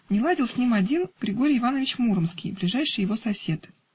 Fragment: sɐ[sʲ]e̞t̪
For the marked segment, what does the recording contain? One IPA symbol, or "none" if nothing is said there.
sʲ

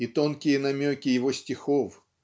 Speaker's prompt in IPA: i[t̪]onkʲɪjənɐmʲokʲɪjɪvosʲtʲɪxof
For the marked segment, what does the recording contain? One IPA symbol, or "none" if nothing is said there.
t̪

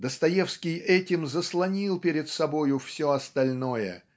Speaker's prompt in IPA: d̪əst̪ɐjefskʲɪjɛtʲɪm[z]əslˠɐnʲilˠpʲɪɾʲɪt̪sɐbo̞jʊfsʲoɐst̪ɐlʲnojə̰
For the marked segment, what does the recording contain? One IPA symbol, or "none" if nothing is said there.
z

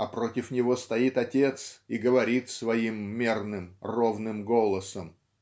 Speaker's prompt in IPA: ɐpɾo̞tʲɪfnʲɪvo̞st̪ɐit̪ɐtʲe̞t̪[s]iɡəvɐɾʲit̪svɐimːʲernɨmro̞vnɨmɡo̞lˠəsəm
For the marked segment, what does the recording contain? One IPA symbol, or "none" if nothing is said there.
s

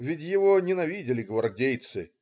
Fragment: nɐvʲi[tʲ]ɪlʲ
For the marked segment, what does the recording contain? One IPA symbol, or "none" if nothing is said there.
dʲ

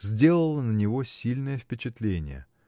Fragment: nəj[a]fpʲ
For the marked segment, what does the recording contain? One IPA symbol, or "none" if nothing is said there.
ə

